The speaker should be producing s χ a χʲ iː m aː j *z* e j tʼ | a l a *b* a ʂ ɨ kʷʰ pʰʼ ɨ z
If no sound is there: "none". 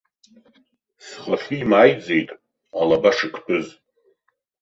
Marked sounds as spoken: d͡z, b

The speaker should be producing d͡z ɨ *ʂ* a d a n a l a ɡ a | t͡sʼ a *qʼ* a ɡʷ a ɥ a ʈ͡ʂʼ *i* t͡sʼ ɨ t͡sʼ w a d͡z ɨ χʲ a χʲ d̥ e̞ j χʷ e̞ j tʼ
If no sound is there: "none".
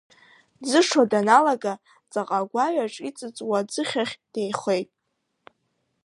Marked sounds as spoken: ʂ, qʼ, i

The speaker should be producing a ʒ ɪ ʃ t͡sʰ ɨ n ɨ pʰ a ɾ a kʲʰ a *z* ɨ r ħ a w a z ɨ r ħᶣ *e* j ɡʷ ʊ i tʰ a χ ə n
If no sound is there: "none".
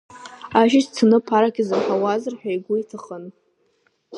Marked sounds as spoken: z, a

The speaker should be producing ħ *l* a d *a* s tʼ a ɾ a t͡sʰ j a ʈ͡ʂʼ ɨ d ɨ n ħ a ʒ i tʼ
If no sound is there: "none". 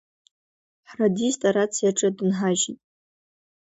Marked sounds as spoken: r, i

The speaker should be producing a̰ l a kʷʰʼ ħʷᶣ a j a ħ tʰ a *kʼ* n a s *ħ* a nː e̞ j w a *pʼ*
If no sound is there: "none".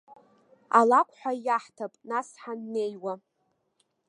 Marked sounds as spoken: pʼ, ħ, none

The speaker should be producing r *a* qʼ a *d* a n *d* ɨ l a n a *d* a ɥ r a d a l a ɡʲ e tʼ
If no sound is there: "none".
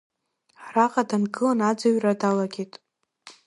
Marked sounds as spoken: a, d, ɡ, d͡z

